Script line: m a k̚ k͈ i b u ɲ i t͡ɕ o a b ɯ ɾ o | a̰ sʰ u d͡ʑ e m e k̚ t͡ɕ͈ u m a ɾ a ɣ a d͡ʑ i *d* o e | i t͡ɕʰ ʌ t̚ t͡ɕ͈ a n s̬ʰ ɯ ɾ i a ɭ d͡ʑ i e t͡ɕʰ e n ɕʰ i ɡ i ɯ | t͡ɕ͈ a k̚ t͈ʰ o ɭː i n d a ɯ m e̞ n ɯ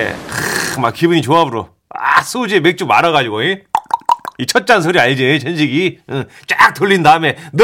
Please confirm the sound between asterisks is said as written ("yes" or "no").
no